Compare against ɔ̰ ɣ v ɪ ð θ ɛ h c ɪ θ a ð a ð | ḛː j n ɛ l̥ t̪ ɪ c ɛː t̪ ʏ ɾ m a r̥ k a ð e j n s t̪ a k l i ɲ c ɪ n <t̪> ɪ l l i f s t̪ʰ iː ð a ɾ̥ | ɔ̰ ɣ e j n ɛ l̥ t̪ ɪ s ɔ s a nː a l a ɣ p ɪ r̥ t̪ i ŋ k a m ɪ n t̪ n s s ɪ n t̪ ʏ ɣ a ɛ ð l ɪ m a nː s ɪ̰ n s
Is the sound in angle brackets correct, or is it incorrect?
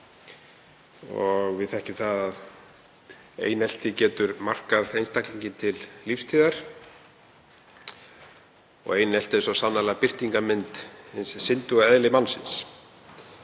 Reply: incorrect